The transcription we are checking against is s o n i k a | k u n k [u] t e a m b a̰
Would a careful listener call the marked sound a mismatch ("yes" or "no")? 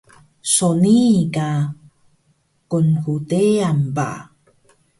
no